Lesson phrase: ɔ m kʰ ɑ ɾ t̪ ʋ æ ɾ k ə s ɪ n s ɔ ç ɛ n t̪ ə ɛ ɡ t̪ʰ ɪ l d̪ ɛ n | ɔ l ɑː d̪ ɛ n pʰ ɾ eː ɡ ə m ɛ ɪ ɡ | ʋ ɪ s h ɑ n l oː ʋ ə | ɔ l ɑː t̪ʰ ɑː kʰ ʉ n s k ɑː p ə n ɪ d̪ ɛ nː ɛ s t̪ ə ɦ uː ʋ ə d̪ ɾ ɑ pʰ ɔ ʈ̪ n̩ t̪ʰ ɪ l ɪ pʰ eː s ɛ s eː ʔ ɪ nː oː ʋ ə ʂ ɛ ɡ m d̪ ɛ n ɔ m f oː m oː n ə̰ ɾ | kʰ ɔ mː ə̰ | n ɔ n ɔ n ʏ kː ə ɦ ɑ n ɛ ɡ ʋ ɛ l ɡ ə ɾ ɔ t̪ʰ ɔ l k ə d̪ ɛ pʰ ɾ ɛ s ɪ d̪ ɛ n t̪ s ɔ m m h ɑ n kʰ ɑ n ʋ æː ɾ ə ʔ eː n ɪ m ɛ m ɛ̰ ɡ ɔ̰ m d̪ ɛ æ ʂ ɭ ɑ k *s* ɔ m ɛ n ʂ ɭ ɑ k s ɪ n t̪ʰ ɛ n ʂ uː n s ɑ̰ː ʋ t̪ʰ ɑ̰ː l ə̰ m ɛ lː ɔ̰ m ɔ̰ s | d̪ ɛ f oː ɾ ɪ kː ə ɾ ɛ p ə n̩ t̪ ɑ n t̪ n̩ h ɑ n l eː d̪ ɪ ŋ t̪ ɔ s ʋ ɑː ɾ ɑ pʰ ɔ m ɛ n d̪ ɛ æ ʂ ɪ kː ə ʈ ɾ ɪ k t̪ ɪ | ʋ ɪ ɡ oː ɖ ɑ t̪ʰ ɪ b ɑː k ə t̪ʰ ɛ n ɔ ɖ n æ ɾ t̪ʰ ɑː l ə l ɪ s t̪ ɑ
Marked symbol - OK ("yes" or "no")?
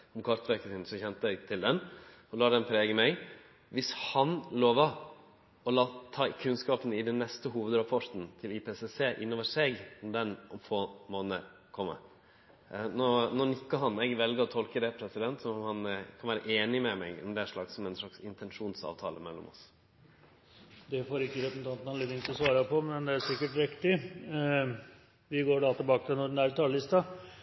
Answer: yes